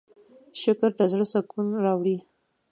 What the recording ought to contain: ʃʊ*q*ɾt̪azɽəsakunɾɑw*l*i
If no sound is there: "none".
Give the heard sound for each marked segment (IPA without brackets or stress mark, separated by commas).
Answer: k, ɽ